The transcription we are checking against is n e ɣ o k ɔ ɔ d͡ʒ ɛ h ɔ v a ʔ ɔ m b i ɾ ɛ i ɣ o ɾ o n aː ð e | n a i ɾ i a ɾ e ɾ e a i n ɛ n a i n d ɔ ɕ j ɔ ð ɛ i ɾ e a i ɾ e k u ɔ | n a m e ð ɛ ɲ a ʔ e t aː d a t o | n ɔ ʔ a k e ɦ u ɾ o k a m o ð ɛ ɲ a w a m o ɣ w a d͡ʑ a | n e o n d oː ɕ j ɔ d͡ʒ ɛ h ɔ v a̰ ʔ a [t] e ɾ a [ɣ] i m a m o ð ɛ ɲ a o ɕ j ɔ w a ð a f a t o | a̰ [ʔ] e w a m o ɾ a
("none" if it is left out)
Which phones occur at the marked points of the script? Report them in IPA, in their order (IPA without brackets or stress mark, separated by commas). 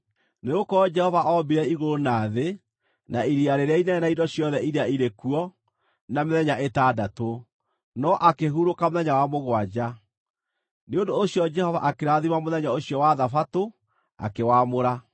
k, ð, k